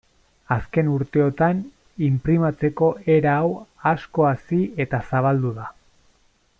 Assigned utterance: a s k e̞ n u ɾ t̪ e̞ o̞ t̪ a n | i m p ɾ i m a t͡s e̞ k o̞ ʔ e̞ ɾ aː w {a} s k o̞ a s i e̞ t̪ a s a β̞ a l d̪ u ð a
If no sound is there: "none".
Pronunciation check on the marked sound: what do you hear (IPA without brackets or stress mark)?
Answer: a